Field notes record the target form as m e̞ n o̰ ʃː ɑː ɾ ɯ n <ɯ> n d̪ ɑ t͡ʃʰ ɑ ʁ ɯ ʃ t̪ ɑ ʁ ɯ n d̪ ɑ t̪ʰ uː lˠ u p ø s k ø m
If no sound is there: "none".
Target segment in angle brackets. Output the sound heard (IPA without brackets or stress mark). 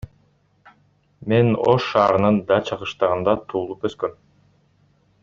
ɯ